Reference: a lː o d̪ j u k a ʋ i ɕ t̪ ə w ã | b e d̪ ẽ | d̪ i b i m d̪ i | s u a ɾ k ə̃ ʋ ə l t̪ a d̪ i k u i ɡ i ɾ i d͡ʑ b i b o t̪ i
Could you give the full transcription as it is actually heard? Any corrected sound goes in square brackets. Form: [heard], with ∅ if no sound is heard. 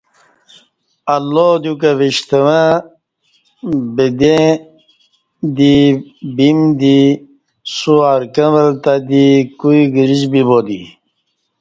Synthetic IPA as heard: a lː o d̪ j u k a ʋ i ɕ t̪ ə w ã | b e d̪ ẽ | d̪ i b i m d̪ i | s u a ɾ k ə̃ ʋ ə l t̪ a d̪ i k u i ɡ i ɾ i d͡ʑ b i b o [d̪] i

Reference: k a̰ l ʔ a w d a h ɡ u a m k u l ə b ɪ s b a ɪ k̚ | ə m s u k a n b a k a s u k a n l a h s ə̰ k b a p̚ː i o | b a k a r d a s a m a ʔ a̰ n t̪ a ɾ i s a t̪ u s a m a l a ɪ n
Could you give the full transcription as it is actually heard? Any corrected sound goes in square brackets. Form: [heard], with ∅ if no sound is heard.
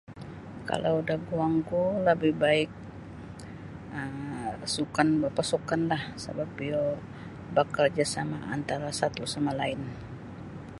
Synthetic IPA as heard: k a̰ l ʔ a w d a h ɡ u a [ŋ] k u l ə b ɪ [h] b a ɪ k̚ | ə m s u k a n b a [p] a s u k a n l a h s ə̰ [∅] b a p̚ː i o | b a k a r [d͡ʒ] a s a m a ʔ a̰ n t̪ a ɾ [a] s a t̪ u s a m a l a ɪ n

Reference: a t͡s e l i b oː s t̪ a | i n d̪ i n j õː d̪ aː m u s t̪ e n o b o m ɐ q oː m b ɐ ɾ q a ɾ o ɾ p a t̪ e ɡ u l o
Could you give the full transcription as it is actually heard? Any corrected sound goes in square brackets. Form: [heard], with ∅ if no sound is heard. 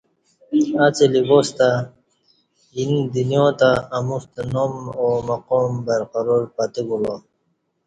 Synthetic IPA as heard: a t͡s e l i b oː s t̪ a | i n d̪ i n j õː [t̪] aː m u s t̪ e n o [m] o m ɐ q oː m b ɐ ɾ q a ɾ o ɾ p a t̪ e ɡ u l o

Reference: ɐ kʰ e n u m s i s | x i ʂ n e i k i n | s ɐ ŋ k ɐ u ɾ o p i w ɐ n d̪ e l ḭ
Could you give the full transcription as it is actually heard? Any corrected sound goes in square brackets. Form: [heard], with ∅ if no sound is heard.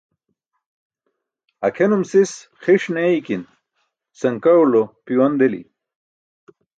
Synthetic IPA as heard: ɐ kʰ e n u m s i s | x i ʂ n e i k i n | s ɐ ŋ k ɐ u [l] o p i w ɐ n d̪ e l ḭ

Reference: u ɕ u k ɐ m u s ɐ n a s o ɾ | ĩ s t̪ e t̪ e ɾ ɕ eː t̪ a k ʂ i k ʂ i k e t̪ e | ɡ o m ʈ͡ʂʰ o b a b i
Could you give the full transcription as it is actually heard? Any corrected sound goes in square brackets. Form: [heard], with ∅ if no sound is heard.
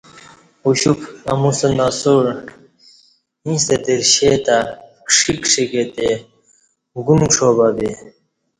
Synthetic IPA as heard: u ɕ u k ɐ m u s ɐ n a s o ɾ | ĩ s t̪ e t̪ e ɾ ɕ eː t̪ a k ʂ i k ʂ i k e t̪ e | ɡ [u] m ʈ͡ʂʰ o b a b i

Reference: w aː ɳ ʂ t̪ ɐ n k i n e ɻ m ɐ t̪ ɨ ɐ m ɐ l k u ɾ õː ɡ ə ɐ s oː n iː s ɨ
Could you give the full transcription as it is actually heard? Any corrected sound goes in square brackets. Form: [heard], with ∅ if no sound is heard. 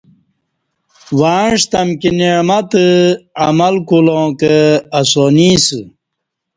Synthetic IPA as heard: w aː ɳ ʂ t̪ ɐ [m] k i n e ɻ m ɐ t̪ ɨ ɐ m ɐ l k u [l] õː [k] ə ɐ s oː n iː s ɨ

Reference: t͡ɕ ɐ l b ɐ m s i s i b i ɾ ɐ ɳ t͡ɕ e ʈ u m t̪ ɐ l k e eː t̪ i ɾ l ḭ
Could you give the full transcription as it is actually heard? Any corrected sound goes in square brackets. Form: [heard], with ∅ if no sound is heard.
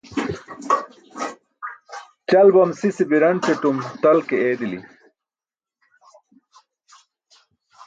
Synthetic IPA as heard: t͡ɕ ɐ l b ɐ m s i s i b i ɾ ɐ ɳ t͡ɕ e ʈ u m t̪ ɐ l k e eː [d̪] i [∅] l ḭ

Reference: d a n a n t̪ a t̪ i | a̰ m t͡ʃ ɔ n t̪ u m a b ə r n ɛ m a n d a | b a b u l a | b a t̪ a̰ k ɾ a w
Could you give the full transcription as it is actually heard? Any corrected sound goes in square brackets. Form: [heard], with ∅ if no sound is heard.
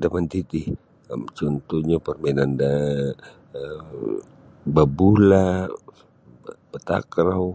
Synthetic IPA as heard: d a [m] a n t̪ [i] t̪ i | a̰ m t͡ʃ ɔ n t̪ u [ɲ] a [p] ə r [m] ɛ [n] a n d a | b a b u l a | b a t̪ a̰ k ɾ a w

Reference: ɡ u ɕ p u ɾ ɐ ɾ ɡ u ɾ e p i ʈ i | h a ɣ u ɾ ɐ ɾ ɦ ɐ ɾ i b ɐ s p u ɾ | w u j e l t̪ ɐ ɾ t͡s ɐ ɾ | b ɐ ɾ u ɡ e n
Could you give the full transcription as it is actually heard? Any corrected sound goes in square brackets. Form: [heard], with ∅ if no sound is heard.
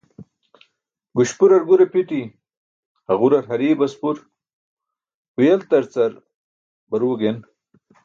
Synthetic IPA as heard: ɡ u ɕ p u ɾ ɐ ɾ ɡ u ɾ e p i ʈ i | h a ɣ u ɾ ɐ ɾ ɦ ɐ ɾ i b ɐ s p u ɾ | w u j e l t̪ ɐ ɾ t͡s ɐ ɾ | b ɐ ɾ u ɡ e n

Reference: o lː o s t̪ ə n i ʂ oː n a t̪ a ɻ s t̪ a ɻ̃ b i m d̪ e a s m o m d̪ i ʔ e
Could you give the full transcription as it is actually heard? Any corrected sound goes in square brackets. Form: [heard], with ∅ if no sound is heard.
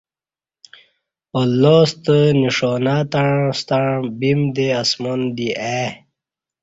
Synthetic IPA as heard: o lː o s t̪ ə n i ʂ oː n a t̪ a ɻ s t̪ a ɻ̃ b i m d̪ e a s m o [n] d̪ i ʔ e

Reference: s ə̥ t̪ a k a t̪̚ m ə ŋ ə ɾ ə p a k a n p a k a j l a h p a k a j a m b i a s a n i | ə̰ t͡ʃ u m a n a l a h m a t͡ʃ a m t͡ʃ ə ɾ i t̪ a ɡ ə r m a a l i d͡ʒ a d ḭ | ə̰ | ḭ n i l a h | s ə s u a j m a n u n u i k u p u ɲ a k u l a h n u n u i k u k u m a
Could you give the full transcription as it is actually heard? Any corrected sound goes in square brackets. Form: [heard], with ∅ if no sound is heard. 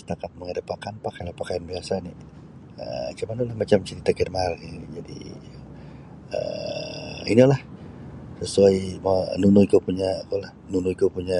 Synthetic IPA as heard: s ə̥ t̪ a k a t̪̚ m ə ŋ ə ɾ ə p a k a n p a k a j l a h p a k a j a [n] b i a s a n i | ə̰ t͡ʃ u m a n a l a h m a t͡ʃ a m t͡ʃ ə ɾ i t̪ a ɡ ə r m a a l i d͡ʒ a d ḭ | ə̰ | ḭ n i l a h | s ə s u a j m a n u n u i k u p u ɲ a k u l a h n u n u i k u [p] u [ɲ] a

